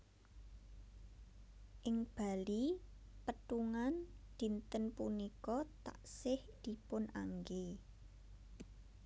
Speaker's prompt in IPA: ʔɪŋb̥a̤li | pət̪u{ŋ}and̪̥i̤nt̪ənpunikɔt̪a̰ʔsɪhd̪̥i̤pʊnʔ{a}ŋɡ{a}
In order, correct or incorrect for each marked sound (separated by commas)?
correct, correct, incorrect